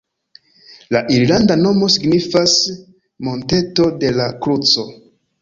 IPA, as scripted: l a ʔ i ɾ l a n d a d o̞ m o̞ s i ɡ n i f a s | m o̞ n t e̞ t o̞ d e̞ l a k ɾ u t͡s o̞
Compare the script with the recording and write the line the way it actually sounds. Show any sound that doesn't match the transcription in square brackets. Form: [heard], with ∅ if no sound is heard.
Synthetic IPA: l a ʔ i ɾ l a n d a [n] o̞ m o̞ s i ɡ n i f a s | m o̞ n t e̞ t o̞ d e̞ l a k ɾ u t͡s o̞